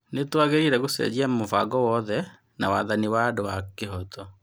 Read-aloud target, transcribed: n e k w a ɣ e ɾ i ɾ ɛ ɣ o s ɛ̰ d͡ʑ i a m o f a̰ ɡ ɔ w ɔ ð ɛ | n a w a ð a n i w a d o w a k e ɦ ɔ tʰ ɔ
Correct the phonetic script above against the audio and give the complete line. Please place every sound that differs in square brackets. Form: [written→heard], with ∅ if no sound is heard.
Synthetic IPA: n e [k→t] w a ɣ e ɾ i ɾ ɛ ɣ o s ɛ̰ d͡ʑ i a m o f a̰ ɡ ɔ w ɔ ð ɛ | n a w a ð a n i w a d o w a k e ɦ ɔ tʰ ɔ